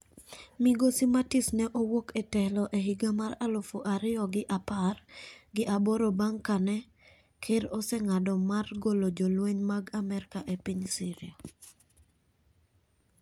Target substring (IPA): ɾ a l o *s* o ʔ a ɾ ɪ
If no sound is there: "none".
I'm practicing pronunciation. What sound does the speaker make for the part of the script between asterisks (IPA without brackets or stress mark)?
f